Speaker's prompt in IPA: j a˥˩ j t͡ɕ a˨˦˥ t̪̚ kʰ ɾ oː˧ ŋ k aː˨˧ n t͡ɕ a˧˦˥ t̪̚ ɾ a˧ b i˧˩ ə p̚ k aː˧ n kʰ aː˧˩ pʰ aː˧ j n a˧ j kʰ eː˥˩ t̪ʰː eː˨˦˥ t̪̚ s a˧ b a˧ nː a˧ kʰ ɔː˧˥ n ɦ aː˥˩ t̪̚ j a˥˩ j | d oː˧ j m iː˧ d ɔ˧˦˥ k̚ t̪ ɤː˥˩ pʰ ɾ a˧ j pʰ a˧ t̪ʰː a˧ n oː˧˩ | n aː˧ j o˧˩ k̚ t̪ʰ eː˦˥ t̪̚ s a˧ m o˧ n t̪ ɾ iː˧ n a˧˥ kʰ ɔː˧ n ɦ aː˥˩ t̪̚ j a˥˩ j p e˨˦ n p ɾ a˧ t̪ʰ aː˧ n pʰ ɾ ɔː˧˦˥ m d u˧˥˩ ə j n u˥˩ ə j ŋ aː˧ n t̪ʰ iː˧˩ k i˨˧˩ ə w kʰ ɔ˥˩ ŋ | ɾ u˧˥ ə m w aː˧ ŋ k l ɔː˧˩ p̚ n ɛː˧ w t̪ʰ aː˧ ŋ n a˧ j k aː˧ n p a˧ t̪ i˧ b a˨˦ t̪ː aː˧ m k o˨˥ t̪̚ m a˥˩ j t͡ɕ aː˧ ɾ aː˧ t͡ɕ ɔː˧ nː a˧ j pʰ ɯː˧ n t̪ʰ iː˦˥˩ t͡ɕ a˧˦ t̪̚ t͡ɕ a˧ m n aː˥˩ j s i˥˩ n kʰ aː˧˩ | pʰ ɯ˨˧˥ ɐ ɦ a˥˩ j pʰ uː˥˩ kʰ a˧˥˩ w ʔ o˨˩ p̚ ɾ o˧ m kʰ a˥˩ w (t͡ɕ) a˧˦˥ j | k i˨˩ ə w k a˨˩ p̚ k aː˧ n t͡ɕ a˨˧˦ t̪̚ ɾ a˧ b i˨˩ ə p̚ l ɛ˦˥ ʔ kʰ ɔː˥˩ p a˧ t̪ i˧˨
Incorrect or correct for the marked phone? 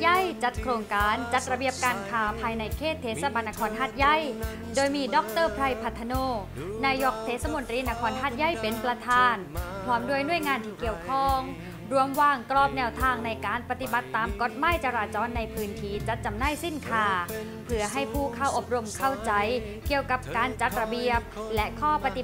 correct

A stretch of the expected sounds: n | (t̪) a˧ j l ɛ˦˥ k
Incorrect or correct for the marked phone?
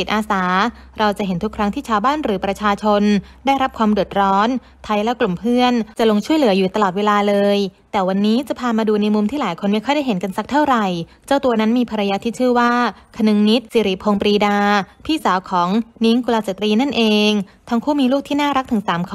incorrect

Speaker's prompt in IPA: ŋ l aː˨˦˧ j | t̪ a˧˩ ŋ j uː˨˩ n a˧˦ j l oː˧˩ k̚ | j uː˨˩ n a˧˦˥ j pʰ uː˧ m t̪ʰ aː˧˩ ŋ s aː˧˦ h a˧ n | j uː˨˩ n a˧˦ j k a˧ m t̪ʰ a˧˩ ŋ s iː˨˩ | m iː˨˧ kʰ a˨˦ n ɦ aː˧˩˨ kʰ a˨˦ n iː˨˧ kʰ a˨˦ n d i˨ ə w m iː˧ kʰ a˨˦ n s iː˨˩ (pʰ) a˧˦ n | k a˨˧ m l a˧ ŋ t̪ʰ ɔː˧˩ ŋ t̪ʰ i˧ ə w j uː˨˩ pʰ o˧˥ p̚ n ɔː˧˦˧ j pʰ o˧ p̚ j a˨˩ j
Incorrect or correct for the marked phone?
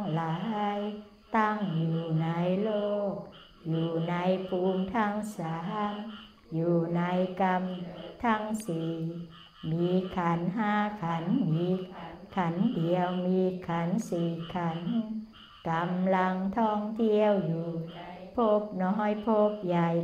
incorrect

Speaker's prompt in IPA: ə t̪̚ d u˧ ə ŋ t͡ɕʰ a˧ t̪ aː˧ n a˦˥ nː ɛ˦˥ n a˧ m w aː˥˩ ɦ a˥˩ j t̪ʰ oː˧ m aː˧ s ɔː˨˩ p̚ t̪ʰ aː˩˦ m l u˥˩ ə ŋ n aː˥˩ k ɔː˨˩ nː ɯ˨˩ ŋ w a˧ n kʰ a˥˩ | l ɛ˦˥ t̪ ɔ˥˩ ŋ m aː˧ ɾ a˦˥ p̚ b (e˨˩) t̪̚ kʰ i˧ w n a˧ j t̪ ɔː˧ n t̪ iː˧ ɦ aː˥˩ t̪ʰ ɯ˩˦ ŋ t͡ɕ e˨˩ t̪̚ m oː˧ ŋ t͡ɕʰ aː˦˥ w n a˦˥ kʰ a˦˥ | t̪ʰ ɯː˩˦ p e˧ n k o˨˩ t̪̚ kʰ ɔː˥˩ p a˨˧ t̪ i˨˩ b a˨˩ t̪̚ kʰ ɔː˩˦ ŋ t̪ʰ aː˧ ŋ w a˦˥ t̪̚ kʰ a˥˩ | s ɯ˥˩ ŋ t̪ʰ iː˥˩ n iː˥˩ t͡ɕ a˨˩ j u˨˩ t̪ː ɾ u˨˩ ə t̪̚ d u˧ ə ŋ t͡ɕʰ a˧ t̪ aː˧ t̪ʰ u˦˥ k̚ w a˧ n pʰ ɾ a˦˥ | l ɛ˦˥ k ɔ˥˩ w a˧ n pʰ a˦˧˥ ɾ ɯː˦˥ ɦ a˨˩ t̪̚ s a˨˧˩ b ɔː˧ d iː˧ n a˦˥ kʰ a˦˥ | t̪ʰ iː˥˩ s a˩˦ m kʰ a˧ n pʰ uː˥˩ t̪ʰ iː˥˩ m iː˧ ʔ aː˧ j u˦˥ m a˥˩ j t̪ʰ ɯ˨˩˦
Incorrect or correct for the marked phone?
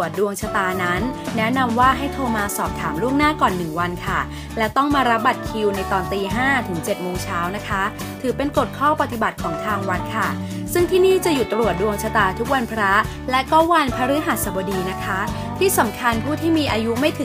incorrect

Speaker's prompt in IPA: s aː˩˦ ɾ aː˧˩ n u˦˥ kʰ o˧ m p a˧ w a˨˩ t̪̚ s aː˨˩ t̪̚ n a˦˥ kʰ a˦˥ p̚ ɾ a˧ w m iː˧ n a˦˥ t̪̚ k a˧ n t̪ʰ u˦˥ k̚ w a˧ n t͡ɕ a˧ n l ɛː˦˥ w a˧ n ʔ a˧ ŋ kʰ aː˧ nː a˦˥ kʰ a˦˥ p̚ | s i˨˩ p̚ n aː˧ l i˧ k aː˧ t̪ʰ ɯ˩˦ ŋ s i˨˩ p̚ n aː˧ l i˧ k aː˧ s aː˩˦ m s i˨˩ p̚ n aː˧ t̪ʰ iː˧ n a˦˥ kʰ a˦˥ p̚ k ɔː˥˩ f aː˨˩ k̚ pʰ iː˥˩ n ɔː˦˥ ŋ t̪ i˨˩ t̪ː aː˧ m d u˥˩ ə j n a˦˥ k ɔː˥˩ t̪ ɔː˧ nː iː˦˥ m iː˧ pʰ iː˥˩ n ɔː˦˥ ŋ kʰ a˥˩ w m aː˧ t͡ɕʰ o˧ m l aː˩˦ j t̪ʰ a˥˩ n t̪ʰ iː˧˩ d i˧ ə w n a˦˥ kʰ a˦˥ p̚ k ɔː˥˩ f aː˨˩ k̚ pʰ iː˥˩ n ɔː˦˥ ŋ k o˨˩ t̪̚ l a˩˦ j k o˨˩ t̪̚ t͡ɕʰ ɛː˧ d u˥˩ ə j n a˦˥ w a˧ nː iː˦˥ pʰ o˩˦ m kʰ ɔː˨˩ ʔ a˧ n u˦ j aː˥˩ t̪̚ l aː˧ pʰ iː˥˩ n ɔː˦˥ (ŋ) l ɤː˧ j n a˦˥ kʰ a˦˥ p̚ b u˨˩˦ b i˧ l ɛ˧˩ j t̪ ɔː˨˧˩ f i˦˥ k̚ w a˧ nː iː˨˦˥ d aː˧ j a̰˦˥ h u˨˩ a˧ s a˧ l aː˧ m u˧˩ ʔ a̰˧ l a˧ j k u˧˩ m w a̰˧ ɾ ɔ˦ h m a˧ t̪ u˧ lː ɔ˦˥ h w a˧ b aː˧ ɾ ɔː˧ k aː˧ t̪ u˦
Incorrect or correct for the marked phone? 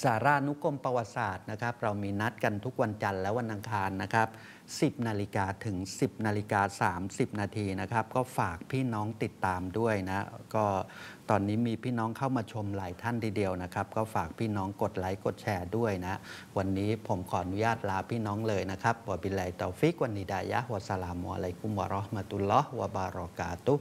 correct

